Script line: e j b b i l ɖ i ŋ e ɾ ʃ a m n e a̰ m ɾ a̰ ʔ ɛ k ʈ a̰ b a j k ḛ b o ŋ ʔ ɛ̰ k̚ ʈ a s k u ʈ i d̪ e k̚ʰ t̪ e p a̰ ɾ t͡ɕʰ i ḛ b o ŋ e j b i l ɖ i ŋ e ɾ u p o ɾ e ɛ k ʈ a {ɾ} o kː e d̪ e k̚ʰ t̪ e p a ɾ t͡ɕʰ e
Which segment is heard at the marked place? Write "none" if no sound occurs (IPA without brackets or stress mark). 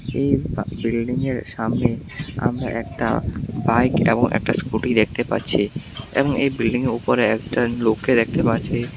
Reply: l